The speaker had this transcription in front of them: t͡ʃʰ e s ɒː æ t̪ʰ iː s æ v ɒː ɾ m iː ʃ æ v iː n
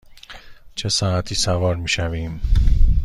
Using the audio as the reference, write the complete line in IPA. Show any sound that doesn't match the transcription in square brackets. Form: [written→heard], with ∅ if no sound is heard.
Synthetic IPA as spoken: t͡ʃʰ e s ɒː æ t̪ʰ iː s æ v ɒː ɾ m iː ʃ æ v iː [n→m]

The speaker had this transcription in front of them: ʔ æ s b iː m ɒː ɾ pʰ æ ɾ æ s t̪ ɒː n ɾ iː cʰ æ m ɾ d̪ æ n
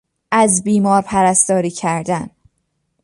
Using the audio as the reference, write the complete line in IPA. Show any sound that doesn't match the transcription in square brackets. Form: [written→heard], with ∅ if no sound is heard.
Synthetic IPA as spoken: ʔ æ [s→z] b iː m ɒː ɾ pʰ æ ɾ æ s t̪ ɒː [n→∅] ɾ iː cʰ æ [m→∅] ɾ d̪ æ n

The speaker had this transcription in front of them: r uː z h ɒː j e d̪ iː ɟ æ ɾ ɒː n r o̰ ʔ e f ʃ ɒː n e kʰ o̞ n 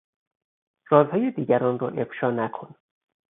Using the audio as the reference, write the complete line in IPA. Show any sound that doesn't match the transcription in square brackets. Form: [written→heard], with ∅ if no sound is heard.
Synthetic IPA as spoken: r [uː→ɒː] z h ɒː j e d̪ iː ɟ æ ɾ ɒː n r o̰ ʔ e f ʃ ɒː n [e→æ] kʰ o̞ n

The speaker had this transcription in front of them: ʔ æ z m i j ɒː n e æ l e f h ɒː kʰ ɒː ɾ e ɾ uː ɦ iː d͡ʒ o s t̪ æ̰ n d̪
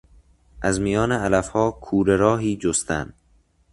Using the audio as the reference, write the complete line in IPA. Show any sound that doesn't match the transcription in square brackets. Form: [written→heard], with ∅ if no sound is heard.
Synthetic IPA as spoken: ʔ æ z m i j ɒː n e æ l [e→æ] f h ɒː kʰ [ɒː→uː] ɾ e ɾ [uː→ɒː] ɦ iː d͡ʒ o s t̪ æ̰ n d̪

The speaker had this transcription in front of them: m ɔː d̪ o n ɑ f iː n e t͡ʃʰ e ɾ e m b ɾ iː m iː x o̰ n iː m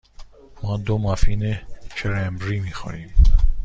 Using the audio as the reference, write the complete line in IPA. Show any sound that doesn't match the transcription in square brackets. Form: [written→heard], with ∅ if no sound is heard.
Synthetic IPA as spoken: m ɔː d̪ o [n→m] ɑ f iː n e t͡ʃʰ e ɾ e m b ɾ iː m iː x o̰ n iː m

